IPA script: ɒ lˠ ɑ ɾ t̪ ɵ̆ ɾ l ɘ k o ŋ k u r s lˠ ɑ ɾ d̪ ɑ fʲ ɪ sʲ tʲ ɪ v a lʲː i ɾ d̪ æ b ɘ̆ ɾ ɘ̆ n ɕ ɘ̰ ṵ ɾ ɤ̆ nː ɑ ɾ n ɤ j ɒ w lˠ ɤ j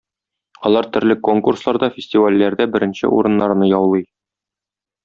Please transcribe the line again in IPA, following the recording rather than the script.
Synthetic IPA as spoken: ɒ lˠ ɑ ɾ t̪ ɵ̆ ɾ l ɘ k o ŋ k u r s lˠ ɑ ɾ d̪ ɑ fʲ ɪ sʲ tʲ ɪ v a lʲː æ ɾ d̪ æ b ɘ̆ ɾ ɘ̆ n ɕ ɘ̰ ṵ ɾ ɤ̆ nː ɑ ɾ n ɤ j ɒ w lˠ ɤ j